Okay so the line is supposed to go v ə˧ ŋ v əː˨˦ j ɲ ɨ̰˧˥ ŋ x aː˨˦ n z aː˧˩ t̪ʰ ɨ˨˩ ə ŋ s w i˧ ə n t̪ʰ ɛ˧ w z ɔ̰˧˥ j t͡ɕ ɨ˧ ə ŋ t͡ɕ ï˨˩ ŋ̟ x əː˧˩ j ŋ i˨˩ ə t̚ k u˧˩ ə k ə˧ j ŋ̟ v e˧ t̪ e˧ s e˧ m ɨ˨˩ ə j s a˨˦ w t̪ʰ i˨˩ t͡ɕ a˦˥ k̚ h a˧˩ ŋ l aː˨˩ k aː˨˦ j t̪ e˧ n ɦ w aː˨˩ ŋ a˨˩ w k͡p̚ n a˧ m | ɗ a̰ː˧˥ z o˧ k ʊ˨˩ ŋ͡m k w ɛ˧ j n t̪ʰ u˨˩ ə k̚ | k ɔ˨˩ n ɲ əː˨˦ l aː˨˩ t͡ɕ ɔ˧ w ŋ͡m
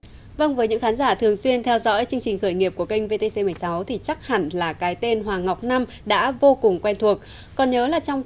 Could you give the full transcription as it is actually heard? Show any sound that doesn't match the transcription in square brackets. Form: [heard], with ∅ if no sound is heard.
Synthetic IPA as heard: v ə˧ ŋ v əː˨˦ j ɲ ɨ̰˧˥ ŋ x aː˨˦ n z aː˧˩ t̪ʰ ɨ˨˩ ə ŋ s w i˧ ə n t̪ʰ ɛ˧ w z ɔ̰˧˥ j t͡ɕ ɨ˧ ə ŋ t͡ɕ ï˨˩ ŋ̟ x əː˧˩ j ŋ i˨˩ ə [p̚] k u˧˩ ə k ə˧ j ŋ̟ v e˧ t̪ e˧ s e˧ m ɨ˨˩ ə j s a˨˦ w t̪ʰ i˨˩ t͡ɕ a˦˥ k̚ h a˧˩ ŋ l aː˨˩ k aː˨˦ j t̪ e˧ n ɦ w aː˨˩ ŋ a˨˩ w k͡p̚ n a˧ m | ɗ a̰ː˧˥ [v] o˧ k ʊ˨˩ ŋ͡m k w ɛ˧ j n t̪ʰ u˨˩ ə k̚ | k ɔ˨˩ n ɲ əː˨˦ l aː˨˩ t͡ɕ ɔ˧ w ŋ͡m